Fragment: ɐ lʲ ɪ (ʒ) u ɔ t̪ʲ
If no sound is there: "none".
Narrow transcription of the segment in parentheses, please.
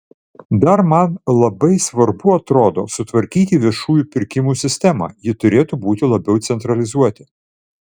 z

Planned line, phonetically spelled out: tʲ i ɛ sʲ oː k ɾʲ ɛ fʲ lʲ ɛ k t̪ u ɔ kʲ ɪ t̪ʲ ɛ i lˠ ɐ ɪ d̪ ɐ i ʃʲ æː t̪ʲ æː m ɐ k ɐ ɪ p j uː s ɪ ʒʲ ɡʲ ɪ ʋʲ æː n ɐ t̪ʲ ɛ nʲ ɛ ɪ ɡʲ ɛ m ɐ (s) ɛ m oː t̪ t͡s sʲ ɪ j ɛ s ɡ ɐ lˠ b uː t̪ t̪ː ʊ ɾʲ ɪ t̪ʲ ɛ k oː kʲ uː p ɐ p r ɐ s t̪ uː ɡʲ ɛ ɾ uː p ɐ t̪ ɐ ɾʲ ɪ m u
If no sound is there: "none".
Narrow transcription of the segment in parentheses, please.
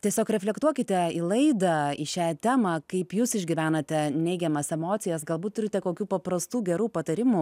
s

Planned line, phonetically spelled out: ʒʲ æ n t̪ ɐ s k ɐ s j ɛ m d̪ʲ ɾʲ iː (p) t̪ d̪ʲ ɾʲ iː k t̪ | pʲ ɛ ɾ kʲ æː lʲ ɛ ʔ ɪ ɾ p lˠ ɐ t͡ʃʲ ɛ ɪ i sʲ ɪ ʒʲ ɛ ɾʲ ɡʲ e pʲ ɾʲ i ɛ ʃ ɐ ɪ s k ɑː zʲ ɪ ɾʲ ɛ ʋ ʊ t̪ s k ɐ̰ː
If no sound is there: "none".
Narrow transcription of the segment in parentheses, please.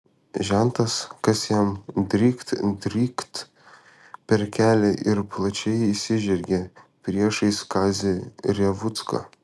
k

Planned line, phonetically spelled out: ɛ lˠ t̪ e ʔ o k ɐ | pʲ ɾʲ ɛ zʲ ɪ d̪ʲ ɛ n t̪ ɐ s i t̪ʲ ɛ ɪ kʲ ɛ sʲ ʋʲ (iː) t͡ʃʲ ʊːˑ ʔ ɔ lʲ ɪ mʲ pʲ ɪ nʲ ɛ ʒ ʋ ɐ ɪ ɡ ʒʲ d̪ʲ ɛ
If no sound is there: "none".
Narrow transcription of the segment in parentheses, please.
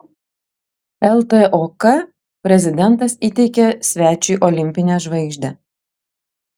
æː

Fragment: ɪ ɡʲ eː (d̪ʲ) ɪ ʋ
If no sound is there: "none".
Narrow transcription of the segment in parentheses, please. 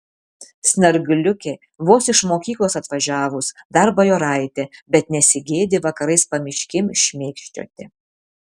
d̪ʲ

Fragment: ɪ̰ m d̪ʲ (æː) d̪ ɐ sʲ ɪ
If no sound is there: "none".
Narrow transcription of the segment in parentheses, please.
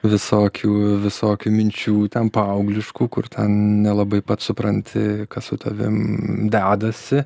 æː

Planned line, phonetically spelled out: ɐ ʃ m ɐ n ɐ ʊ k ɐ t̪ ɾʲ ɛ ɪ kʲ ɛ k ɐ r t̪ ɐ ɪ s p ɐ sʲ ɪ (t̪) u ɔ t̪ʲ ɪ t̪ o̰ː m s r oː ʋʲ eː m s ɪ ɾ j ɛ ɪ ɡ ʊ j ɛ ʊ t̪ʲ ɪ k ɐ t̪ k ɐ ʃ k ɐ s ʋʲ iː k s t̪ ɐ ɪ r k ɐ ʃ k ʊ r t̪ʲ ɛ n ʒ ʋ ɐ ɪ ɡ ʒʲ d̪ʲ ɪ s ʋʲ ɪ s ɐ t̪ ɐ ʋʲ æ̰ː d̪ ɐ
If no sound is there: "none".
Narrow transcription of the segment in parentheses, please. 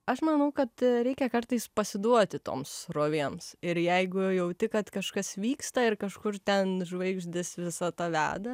d̪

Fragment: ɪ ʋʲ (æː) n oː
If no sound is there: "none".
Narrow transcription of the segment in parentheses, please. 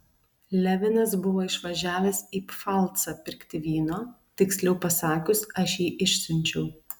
iː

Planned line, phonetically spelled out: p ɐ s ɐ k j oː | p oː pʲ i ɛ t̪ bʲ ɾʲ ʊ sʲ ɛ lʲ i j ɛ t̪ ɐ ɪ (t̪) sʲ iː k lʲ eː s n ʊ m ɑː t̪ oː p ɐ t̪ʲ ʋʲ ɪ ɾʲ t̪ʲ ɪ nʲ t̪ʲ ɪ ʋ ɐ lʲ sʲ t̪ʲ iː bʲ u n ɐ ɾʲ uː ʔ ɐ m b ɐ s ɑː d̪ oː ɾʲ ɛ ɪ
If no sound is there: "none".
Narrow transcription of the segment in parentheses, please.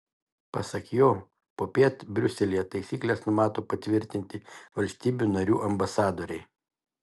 none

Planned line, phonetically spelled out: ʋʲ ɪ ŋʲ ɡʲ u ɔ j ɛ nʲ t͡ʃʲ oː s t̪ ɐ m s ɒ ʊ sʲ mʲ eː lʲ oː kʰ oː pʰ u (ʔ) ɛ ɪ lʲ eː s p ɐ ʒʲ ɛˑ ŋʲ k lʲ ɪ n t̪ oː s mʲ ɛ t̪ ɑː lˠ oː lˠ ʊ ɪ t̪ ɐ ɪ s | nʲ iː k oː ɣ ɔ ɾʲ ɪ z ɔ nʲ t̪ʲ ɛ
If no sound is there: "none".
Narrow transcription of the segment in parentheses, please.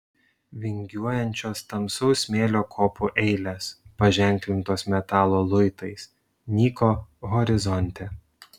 ʔ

